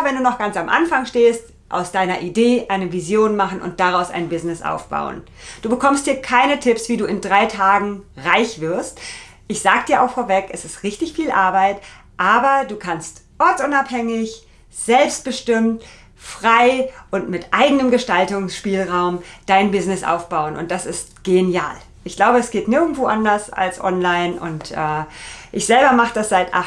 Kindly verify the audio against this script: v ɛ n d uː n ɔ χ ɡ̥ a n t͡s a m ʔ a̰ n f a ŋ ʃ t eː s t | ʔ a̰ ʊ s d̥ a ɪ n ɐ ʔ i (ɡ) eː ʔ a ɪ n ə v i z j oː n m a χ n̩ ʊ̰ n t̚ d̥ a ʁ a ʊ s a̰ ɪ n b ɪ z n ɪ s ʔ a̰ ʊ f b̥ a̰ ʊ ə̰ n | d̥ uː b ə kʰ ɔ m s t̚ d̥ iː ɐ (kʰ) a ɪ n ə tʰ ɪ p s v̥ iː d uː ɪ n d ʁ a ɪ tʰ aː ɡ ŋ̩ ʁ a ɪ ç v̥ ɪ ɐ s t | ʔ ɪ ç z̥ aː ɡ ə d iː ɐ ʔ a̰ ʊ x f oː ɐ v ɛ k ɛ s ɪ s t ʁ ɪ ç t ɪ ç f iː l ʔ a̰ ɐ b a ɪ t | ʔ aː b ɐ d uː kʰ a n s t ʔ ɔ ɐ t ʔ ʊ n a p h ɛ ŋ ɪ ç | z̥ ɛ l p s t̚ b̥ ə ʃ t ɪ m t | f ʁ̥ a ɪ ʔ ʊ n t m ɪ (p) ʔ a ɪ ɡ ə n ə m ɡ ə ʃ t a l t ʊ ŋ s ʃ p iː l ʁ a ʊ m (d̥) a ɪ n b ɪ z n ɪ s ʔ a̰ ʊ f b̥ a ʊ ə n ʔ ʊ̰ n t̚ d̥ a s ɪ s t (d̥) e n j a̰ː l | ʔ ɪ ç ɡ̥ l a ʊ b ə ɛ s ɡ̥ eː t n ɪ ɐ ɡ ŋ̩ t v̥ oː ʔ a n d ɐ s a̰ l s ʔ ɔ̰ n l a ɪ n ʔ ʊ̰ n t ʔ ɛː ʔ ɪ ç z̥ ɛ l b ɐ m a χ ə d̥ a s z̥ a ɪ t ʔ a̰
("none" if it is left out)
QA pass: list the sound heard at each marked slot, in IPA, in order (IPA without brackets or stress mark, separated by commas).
d, kʰ, t, d̥, ɡ̥